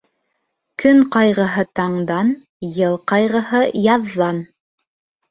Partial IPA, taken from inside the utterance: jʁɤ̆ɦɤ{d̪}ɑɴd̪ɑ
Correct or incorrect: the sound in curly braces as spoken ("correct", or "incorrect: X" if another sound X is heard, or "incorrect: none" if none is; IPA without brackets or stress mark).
incorrect: t̪